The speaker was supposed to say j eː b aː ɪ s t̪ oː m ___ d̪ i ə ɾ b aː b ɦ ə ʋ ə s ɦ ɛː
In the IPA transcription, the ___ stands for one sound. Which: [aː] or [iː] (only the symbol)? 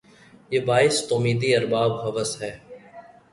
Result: iː